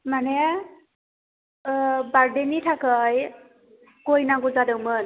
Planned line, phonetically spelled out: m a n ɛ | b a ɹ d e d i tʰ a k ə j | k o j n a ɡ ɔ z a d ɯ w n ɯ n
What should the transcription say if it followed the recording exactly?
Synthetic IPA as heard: m a n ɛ | b a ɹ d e n i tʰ a k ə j | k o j n a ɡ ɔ z a d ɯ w m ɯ n